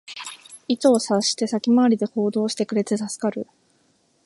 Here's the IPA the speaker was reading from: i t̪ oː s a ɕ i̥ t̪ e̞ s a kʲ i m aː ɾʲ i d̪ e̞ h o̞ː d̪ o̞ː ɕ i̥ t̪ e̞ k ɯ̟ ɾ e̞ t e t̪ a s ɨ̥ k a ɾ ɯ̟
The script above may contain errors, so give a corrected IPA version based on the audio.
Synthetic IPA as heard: i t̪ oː s a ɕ i̥ t̪ e̞ s a kʲ i m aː ɾʲ i d̪ e̞ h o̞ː d̪ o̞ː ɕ i̥ t̪ e̞ k ɯ̟ ɾ e̞ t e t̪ a s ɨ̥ k a ɾ ɯ̟